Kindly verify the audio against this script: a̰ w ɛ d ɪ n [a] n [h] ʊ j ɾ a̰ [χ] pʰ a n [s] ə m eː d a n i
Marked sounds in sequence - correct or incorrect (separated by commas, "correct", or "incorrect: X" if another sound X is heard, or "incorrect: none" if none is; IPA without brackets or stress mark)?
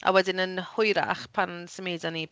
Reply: incorrect: ə, correct, correct, correct